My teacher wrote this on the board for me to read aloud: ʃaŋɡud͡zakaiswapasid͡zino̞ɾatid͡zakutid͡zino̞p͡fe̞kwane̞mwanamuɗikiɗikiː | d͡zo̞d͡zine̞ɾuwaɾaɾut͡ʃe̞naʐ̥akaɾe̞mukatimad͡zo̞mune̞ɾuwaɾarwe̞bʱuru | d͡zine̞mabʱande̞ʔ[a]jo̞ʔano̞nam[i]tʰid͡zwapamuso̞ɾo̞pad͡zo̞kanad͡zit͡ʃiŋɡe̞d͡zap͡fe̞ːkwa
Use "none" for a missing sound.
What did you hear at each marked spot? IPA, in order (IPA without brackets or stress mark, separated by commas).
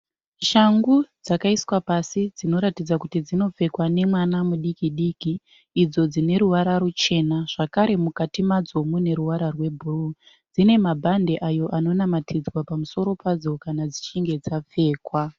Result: a, a